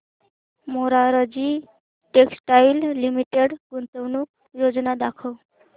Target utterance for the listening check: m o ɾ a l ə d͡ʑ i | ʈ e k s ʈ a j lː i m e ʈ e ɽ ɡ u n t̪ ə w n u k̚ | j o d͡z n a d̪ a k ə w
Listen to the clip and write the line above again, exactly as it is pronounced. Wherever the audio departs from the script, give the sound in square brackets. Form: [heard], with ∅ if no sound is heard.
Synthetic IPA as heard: m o ɾ a [ɾ] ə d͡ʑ i | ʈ e k s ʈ a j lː i m [i] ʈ e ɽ ɡ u n t̪ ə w n u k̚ | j o d͡z n a d̪ a [kʰ] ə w